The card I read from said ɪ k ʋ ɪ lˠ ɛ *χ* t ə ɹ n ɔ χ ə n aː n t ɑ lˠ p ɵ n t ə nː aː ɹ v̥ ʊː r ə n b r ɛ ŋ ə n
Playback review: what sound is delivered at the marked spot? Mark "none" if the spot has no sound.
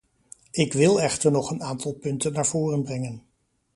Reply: χ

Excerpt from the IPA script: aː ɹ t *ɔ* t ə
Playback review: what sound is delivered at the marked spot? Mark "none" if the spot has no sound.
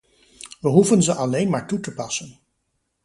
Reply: u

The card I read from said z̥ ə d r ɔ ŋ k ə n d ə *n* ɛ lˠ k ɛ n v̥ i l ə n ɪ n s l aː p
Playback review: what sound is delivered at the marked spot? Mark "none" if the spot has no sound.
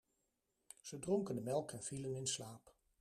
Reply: m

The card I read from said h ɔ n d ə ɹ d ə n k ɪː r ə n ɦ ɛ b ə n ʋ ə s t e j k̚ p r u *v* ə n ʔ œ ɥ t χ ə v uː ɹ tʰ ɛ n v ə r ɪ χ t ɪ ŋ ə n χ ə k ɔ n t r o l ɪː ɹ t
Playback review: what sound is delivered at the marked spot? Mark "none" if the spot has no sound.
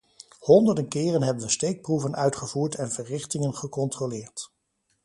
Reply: v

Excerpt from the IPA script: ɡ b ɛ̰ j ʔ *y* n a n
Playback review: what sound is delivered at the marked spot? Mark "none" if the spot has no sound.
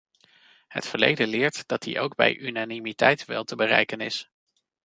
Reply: y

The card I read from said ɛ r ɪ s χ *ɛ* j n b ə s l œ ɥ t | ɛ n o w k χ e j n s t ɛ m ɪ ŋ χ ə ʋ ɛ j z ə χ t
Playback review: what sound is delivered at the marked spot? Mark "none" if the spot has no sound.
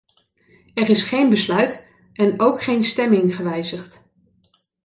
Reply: e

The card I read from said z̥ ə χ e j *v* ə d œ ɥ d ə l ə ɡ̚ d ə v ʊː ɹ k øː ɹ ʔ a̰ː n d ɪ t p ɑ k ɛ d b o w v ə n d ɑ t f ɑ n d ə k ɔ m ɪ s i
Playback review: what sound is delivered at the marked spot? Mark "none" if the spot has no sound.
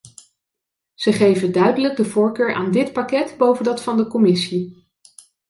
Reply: v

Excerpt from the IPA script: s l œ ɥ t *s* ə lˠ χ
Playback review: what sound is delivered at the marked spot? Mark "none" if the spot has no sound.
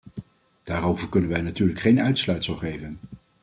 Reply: s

